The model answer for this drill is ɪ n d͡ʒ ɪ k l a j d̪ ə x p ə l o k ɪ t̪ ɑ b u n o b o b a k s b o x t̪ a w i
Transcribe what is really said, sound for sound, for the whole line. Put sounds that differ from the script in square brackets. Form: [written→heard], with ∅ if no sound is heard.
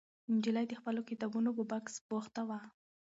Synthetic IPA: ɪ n d͡ʒ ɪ [k→∅] l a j d̪ ə x p ə l o k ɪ t̪ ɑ b u n o b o b a k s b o x t̪ a w [i→a]